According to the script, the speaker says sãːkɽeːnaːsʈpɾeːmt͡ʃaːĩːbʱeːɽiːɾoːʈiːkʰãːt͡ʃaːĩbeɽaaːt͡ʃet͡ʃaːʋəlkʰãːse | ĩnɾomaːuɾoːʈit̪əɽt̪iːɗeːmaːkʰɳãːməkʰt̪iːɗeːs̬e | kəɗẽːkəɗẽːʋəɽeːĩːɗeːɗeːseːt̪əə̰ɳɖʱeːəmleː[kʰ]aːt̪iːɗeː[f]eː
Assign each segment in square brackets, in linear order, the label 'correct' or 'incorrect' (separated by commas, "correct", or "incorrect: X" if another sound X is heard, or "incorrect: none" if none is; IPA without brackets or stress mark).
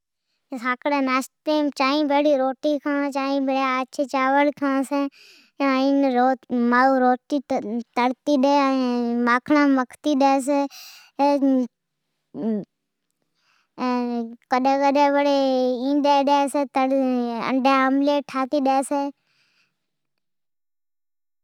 incorrect: ʈʰ, incorrect: s